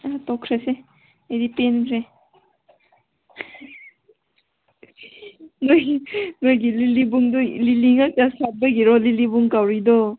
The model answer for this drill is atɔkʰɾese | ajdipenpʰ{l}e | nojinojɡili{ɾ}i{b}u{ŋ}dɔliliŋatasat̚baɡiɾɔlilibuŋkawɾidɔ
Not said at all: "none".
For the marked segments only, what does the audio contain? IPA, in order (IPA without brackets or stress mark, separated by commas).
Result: ɾ, l, b, ŋ